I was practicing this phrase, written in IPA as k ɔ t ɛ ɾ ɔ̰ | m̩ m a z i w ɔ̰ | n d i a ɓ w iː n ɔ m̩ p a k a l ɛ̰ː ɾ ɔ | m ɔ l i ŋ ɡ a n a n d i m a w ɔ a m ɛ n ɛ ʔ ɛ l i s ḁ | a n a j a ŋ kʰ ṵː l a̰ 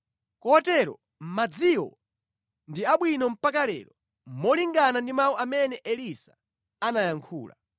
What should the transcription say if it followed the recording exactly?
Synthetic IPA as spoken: k ɔ t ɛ ɾ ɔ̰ | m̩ m a d͡z i w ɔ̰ | n d i a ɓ w i n ɔ m̩ p a k a l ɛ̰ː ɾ ɔ | m ɔ l i ŋ ɡ a n a n d i m a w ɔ a m ɛ n ɛ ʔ ɛ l i s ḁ | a n a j a ŋ kʰ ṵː l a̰